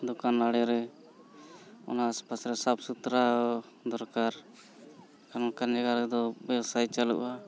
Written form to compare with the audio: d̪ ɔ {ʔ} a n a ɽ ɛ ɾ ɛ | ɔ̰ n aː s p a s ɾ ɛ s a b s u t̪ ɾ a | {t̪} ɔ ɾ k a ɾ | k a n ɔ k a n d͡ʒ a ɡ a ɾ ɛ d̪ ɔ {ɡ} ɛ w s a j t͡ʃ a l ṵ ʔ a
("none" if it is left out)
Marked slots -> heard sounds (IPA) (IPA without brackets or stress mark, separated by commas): k, d̪, b